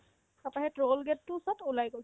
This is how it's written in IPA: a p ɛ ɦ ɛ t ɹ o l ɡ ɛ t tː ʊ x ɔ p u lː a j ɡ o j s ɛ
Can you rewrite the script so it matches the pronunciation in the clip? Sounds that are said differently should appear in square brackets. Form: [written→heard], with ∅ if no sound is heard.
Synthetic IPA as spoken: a p [ɛ→a] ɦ ɛ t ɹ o l ɡ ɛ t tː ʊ [x→s] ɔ [p→t] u [lː→l] a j ɡ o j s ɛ